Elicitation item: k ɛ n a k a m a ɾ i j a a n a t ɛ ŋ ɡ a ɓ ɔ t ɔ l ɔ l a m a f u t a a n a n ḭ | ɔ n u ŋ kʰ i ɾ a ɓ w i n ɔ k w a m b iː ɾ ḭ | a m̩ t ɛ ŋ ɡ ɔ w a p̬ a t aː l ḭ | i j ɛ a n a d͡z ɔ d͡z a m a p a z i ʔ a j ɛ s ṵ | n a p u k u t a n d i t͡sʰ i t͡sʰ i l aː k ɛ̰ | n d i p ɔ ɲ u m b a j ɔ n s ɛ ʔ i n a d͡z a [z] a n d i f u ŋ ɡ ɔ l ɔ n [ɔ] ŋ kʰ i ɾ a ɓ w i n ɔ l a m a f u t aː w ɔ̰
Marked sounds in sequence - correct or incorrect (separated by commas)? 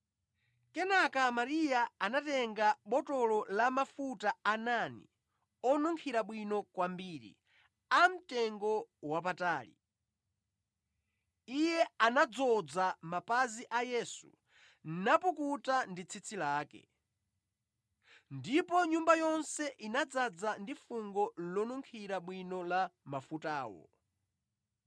incorrect, incorrect